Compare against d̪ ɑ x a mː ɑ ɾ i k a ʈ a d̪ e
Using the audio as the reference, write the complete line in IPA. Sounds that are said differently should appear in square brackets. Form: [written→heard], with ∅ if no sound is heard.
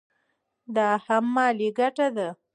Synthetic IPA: d̪ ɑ [x→h] a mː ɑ [ɾ→l] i [k→ɡ] a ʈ a d̪ [e→a]